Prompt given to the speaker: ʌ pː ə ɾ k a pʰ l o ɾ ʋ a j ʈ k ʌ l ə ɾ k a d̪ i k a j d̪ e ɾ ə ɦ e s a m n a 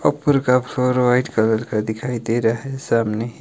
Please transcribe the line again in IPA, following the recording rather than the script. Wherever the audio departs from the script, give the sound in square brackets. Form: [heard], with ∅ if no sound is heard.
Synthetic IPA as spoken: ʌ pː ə ɾ k a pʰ l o ɾ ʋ a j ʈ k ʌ l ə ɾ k a d̪ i [kʰ] a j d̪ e ɾ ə ɦ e s a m n [e]